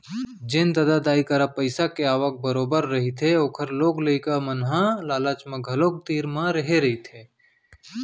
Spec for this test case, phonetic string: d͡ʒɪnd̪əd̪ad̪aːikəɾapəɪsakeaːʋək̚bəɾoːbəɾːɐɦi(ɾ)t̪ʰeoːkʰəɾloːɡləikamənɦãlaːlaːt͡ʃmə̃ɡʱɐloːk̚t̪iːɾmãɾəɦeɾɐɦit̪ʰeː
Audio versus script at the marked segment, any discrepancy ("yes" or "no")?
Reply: yes